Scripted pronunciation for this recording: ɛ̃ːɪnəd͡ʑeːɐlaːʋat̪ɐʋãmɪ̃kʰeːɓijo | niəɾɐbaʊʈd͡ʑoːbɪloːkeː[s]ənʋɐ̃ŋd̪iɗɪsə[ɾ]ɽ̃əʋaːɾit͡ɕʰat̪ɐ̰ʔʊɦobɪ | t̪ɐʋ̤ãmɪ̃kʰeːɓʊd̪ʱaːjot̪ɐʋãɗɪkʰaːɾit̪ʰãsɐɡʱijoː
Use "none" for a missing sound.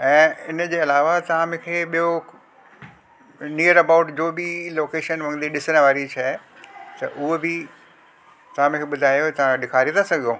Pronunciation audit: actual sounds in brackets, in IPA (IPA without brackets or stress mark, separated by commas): ʃ, none